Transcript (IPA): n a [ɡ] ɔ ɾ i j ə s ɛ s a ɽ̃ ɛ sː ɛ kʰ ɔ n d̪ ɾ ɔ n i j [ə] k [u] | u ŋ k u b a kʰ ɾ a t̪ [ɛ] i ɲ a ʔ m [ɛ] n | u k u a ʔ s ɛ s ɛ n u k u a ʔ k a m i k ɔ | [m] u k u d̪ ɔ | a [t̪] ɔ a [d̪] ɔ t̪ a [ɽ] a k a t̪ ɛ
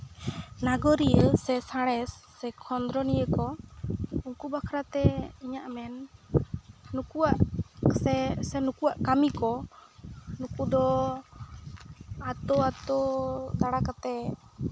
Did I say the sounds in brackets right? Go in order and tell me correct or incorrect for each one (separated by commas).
correct, correct, incorrect, correct, correct, incorrect, correct, incorrect, correct